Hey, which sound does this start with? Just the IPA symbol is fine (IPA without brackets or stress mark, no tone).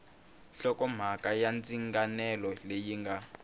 ɬ